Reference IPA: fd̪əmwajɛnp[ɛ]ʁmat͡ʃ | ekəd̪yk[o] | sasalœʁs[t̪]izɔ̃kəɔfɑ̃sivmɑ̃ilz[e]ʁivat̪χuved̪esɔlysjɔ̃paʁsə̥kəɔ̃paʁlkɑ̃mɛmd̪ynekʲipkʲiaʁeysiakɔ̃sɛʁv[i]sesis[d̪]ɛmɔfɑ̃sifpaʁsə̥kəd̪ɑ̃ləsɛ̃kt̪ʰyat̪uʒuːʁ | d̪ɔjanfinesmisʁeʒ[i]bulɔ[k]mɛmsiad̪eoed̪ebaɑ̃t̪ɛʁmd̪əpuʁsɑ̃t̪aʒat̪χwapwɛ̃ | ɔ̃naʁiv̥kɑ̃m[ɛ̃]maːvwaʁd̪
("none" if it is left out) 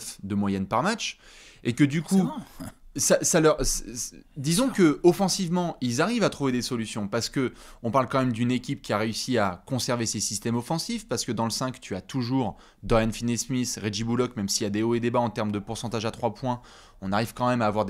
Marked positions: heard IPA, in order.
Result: a, u, d̪, a, e, t̪, i, k, ɛ

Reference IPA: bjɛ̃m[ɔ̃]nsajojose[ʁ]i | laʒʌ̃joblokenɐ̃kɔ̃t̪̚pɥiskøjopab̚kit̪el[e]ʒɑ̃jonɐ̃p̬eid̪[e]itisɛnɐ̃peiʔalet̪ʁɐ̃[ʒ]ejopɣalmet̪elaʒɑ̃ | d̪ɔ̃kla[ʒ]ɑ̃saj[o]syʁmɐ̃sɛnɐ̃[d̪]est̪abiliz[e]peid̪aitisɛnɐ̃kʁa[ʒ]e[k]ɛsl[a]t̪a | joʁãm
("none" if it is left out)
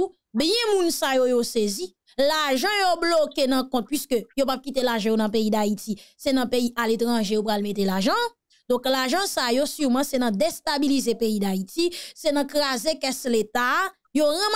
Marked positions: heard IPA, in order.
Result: ũ, z, a, a, ʒ, ʒ, o, d̪, e, z, k, e

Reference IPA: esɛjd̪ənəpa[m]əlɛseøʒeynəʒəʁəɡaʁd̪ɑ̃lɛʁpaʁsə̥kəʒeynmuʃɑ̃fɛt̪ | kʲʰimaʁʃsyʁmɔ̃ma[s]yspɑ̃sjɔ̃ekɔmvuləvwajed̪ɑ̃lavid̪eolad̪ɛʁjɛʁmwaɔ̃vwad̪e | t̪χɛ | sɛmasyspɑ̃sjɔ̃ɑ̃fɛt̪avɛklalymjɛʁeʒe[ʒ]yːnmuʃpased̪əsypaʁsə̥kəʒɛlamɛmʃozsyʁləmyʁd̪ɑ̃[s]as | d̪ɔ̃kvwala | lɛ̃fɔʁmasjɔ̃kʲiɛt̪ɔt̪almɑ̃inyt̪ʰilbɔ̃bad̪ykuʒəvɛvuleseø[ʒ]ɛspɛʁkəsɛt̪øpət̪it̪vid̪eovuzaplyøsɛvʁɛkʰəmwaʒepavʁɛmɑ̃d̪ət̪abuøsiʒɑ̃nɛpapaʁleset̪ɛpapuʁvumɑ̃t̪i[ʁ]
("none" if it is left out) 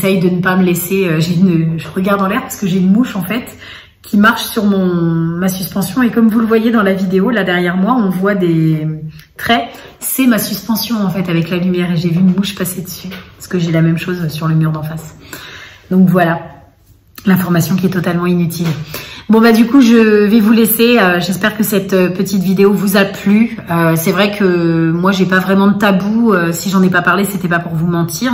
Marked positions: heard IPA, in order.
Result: m, s, v, f, ʒ, ʁ

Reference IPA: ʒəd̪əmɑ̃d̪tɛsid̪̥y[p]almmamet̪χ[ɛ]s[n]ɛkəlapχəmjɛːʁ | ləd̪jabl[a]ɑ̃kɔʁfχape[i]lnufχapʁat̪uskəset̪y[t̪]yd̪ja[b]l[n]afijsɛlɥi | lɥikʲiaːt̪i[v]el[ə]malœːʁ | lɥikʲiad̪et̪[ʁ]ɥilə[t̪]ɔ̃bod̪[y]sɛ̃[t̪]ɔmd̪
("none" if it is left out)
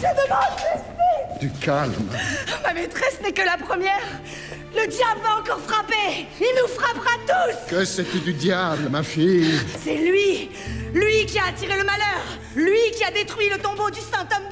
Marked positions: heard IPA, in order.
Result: k, ɛ, n, a, i, d̪, b, m, ʁ, ə, χ, t̪, y, t̪

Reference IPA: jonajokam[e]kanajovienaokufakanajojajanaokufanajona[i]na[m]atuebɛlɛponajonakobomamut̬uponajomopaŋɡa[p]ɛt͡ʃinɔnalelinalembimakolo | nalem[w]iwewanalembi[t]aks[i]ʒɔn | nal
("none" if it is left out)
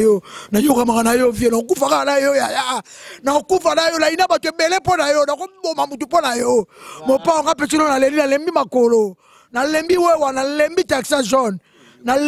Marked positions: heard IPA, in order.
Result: a, i, b, p, b, t, a

